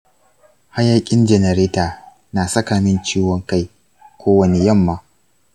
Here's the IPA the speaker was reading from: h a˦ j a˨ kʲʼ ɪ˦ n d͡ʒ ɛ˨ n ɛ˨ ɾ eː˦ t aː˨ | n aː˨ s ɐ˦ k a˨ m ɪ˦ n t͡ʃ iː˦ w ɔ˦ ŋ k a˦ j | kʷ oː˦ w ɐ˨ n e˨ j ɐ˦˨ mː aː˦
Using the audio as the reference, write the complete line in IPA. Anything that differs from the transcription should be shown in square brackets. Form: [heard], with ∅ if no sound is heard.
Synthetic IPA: h a˦ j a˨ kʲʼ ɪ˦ n d͡ʒ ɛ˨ n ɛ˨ ɾ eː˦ t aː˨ | n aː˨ s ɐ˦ k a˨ m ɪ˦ n t͡ʃ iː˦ w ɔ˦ ŋ k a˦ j | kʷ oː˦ w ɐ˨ n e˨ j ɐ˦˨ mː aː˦